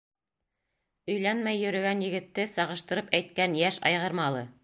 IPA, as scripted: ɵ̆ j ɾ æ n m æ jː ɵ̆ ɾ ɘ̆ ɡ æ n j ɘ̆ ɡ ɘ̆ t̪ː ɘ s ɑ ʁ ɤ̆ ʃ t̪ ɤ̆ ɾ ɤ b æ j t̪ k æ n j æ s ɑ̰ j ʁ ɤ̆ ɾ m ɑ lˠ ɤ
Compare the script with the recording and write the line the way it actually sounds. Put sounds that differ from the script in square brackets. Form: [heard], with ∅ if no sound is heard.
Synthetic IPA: ɵ̆ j [l] æ n m æ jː ɵ̆ ɾ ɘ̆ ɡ æ n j ɘ̆ ɡ ɘ̆ t̪ː ɘ s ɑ ʁ ɤ̆ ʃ t̪ ɤ̆ ɾ ɤ [p] æ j t̪ k æ n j æ [ʃ] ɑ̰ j ʁ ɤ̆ ɾ m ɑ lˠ ɤ

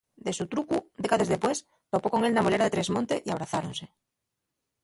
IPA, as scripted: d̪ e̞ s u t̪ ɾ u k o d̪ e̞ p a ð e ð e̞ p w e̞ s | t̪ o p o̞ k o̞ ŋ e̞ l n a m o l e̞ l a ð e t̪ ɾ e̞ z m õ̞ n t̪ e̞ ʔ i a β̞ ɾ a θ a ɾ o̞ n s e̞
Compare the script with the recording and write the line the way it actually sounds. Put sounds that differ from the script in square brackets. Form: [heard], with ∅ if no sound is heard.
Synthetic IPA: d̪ e̞ s u t̪ ɾ u k [u] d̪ e̞ [k] a ð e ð e̞ p w e̞ s | t̪ o p o̞ k o̞ ŋ e̞ l n a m o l e̞ [ɾ] a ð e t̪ ɾ e̞ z m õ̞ n t̪ e̞ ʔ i a β̞ ɾ a θ a ɾ o̞ n s e̞

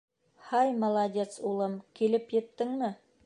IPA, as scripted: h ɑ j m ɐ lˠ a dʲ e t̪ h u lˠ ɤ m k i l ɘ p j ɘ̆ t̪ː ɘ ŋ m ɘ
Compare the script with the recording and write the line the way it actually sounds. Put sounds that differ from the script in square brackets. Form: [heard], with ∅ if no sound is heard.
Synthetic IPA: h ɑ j m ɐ lˠ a dʲ e t̪ [s] u lˠ ɤ m k i l ɘ p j ɘ̆ t̪ː ɘ ŋ m ɘ

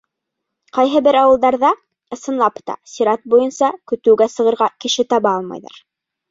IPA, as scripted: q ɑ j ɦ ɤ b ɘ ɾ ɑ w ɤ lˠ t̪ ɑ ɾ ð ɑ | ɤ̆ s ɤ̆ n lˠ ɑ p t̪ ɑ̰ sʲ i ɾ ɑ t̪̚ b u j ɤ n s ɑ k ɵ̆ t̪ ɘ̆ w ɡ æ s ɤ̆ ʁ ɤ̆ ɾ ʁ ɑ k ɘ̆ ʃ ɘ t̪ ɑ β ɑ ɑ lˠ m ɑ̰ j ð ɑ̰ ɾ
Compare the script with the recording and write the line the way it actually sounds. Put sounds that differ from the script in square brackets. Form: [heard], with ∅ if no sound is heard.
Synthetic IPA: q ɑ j ɦ ɤ b ɘ ɾ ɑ w ɤ lˠ [d̪] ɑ ɾ ð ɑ | ɤ̆ s ɤ̆ n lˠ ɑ p t̪ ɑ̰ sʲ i ɾ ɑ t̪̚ b u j ɤ n s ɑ k ɵ̆ t̪ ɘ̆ w ɡ æ s ɤ̆ ʁ ɤ̆ ɾ ʁ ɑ k ɘ̆ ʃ ɘ t̪ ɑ β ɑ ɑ lˠ m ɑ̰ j ð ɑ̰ ɾ

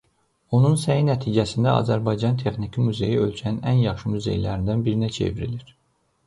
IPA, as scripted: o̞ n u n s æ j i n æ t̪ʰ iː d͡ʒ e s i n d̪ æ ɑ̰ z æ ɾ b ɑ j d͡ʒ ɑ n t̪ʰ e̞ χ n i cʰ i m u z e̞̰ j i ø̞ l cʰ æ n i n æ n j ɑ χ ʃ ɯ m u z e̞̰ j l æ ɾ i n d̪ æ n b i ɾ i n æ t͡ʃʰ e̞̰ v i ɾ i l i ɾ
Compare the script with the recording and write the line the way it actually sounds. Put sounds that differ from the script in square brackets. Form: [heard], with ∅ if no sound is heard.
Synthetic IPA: o̞ n u n s æ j i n æ t̪ʰ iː d͡ʒ [æ] s i n d̪ æ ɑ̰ z æ ɾ b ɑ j d͡ʒ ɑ n t̪ʰ e̞ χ n i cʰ i m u z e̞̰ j i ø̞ l cʰ æ n i n æ n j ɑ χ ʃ ɯ m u z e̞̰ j l æ ɾ i n d̪ æ n b i ɾ i n æ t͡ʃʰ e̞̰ v i ɾ i l i ɾ

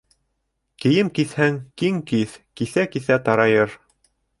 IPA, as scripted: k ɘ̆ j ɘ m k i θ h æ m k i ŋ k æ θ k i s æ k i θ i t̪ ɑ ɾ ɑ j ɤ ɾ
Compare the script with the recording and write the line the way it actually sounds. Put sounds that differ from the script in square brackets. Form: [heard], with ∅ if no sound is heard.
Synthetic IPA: k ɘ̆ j ɘ m k i θ h æ [ŋ] k i ŋ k [i] θ k i [θ] æ k i θ [æ] t̪ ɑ ɾ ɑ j ɤ ɾ

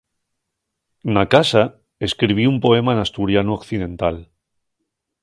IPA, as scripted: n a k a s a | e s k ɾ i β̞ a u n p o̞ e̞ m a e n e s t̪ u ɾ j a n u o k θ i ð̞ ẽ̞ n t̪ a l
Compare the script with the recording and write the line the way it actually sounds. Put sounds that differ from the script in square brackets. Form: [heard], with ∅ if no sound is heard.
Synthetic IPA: n a k a s a | e s k ɾ i β̞ [i] u [m] p o̞ e̞ m a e n [a] s t̪ u ɾ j a n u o k θ i ð̞ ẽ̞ n t̪ a l

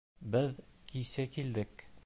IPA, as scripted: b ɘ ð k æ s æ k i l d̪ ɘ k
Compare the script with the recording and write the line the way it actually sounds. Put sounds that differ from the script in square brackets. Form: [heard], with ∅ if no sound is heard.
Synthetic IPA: b ɘ ð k [i] s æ k i l d̪ ɘ k

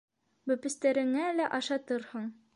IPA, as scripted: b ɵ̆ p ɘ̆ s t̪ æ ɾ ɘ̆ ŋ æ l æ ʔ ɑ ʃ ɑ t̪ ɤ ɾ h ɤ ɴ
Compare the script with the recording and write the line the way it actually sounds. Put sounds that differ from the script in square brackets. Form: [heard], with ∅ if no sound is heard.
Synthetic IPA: b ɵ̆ p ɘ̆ s t̪ æ ɾ ɘ̆ ŋ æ l æ ʔ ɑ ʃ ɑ t̪ ɤ ɾ h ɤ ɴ

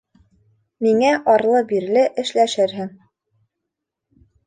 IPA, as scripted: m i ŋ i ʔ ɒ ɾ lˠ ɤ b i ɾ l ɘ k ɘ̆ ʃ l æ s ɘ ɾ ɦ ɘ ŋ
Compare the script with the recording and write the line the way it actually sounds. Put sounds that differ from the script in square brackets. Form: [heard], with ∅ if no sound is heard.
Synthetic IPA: m i ŋ [æ] ʔ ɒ ɾ lˠ ɤ b i ɾ l ɘ [ʔ] ɘ̆ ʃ l æ [ʃ] ɘ ɾ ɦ ɘ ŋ

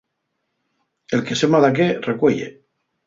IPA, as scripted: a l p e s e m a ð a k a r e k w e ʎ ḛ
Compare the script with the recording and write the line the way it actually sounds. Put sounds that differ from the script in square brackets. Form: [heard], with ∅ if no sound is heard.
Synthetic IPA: [e] l [k] e s e m a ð a k [e] r e k w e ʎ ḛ

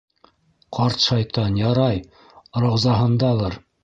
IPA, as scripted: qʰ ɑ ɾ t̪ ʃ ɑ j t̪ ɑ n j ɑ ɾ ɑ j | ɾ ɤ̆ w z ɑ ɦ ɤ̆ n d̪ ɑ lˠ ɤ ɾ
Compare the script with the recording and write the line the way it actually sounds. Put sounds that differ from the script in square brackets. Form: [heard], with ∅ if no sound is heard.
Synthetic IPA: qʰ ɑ ɾ t̪ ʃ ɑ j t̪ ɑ n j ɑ ɾ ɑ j | ɾ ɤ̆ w z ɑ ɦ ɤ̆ n d̪ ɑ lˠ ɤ ɾ

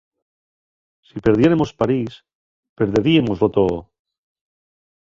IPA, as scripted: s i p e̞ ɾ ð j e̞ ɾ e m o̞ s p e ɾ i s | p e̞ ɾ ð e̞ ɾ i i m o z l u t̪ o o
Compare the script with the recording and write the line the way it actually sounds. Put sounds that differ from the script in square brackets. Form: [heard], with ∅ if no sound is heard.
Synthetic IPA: s i p e̞ ɾ ð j e̞ ɾ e m o̞ s p [a] ɾ i s | p e̞ ɾ ð e̞ ɾ i [e] m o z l [o] t̪ o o

